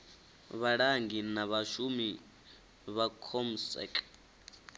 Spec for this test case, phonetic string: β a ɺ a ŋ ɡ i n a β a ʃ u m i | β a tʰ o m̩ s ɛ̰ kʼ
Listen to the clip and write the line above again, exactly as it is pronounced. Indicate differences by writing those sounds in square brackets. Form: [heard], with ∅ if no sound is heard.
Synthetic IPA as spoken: β a ɺ a ŋ ɡ i n a β a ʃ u m i | β a [kʰ] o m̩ s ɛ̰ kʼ